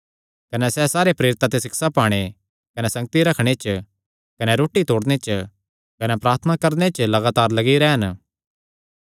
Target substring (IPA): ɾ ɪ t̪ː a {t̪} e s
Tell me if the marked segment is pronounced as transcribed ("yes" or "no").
yes